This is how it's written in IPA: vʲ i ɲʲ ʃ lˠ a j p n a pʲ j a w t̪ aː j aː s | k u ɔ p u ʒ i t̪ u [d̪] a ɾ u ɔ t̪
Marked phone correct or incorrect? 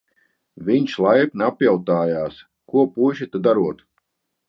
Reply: correct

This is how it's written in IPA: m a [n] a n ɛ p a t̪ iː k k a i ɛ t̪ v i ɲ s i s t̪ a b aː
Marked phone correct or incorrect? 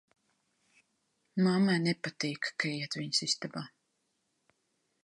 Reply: incorrect: m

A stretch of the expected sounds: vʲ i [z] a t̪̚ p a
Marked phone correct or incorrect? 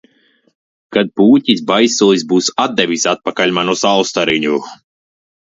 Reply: incorrect: s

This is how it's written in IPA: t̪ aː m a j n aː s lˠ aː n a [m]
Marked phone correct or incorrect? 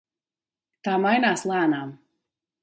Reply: correct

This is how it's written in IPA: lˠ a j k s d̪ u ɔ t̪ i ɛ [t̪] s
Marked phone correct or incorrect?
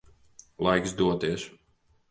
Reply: incorrect: none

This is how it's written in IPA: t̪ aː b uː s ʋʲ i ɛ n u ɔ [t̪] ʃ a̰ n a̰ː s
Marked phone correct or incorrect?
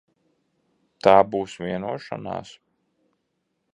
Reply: incorrect: none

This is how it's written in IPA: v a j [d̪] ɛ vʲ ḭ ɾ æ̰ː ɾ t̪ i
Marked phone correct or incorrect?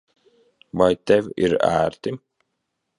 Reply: incorrect: t̪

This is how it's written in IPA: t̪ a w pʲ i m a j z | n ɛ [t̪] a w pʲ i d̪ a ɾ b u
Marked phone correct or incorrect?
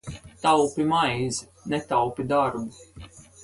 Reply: correct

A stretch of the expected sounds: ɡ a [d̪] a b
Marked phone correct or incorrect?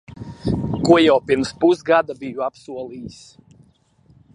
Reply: correct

